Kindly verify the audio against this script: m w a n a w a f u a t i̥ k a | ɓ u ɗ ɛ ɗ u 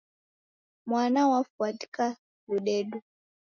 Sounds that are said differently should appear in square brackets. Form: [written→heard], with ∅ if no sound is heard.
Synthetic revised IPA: m w a n a w a f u a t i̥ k a | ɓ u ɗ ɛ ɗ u